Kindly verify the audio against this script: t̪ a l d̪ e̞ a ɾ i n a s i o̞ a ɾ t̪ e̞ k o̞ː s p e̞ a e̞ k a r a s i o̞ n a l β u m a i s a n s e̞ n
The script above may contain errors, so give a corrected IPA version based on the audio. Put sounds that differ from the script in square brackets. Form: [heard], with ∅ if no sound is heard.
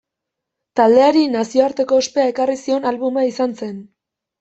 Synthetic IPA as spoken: t̪ a l d̪ e̞ a ɾ i n a s i o̞ a ɾ t̪ e̞ k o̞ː s p e̞ a e̞ k a r [i] s i o̞ n a l β u m a i s a n s e̞ n